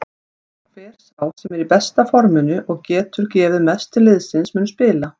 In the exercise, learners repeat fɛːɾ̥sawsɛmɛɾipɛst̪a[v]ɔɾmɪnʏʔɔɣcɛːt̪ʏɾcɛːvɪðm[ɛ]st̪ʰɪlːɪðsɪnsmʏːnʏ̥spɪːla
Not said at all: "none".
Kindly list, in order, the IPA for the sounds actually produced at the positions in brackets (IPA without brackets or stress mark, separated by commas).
f, ɛ